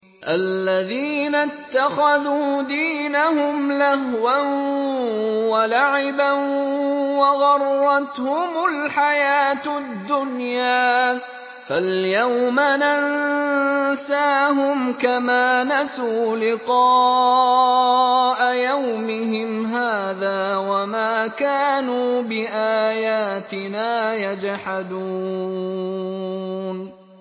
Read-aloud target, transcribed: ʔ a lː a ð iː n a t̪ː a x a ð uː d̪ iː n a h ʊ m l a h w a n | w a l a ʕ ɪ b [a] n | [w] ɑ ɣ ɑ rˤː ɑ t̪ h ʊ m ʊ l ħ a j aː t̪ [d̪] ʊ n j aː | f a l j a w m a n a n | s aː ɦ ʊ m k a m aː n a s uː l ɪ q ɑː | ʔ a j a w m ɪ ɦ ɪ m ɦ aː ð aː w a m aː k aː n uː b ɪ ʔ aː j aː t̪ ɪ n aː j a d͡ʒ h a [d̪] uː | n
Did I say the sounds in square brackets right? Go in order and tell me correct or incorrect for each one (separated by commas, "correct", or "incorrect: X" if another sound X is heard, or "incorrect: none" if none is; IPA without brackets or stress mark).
correct, correct, incorrect: d̪ː, correct